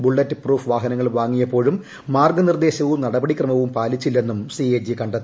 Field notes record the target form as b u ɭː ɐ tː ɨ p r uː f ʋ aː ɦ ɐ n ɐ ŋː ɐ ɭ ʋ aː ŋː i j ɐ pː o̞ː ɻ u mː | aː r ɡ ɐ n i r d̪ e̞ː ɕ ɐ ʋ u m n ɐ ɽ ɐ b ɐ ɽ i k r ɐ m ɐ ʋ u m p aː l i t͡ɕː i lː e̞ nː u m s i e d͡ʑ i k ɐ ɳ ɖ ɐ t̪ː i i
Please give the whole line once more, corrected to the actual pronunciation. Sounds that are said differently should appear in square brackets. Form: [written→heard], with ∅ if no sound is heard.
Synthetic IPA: b u ɭː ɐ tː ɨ p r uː f ʋ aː ɦ ɐ n ɐ ŋː ɐ ɭ ʋ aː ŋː i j ɐ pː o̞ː ɻ u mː | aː r ɡ ɐ n i r d̪ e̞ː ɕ ɐ ʋ u m n ɐ ɽ ɐ b ɐ ɽ i k r ɐ m ɐ ʋ u m p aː l i t͡ɕː i lː e̞ nː u m s i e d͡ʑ i k ɐ ɳ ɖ ɐ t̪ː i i